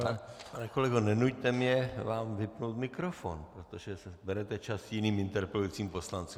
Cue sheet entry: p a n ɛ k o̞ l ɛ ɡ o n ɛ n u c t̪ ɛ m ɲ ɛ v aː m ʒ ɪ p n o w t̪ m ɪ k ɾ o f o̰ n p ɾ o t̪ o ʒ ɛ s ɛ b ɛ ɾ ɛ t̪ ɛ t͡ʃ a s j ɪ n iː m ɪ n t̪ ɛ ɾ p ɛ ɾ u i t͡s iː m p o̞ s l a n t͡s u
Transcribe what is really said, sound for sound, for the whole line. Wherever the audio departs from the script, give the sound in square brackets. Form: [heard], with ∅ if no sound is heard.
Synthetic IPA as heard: p a n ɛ k o̞ l ɛ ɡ o n ɛ n u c t̪ ɛ m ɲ ɛ v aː m [v] ɪ p n o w t̪ m ɪ k ɾ o f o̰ n p ɾ o t̪ o ʒ ɛ s ɛ b ɛ ɾ ɛ t̪ ɛ t͡ʃ a s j ɪ n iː m ɪ n t̪ ɛ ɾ p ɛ [l] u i t͡s iː m p o̞ s l a n t͡s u